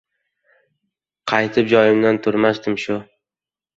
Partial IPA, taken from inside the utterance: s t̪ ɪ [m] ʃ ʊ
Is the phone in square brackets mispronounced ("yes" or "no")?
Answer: no